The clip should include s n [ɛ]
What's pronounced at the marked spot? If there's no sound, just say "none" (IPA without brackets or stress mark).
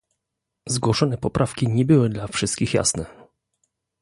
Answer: ɛ